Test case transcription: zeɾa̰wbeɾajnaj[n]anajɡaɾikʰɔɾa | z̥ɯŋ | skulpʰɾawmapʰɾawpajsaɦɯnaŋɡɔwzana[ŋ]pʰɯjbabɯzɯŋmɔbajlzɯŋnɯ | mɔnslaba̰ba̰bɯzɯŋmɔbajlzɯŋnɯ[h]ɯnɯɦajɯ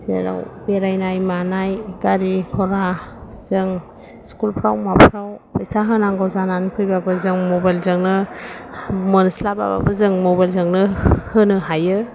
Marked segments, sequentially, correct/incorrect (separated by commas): incorrect, incorrect, correct